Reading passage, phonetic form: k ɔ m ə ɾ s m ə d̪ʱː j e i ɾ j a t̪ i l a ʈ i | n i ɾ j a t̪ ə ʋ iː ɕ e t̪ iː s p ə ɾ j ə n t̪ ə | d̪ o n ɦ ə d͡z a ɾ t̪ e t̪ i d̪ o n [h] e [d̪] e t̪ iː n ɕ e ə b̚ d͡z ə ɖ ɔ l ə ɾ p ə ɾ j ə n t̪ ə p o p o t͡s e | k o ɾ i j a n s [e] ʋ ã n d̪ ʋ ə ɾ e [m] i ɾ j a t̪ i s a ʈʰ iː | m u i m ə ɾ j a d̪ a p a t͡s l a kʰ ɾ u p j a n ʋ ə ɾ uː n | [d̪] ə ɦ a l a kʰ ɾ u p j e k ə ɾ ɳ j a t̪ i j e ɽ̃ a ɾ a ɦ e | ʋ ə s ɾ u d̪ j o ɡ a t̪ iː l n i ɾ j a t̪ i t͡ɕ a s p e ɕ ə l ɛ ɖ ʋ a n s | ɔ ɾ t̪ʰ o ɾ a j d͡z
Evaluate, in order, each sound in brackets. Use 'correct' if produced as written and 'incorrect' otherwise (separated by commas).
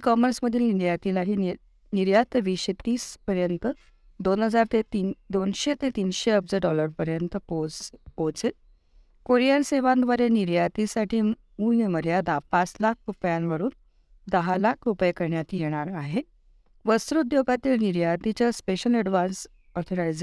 incorrect, incorrect, correct, incorrect, correct